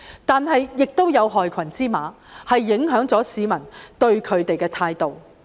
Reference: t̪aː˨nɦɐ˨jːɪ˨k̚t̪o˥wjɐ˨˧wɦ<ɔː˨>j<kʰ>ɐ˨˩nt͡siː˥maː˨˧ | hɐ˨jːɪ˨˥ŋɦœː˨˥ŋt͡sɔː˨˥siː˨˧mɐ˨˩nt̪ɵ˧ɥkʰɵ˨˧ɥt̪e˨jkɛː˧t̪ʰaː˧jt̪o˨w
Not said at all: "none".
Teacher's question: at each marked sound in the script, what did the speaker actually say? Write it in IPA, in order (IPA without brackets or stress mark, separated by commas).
ɔː˨, kʰ